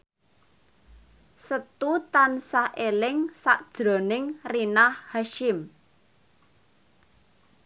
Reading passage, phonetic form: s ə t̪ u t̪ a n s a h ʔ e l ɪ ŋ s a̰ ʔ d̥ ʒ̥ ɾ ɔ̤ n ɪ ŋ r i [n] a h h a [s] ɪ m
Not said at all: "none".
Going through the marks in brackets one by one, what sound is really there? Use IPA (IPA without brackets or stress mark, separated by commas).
n, ʃ